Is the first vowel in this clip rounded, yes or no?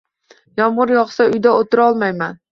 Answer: yes